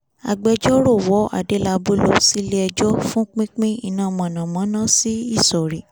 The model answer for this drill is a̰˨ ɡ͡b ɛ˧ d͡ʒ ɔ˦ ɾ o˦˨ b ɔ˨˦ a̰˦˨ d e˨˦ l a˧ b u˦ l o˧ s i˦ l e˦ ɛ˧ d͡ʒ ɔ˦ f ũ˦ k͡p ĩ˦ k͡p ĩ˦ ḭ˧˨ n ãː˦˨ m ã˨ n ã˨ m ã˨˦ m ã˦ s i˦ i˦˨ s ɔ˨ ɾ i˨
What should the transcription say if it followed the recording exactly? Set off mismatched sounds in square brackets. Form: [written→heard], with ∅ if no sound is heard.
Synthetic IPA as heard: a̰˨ ɡ͡b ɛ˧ d͡ʒ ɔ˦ ɾ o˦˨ [b→w] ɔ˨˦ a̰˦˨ d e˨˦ l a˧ b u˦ l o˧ s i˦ l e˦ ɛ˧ d͡ʒ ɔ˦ f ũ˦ k͡p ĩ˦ k͡p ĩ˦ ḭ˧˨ n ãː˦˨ m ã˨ n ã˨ m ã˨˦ [m→n] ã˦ s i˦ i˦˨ s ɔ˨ ɾ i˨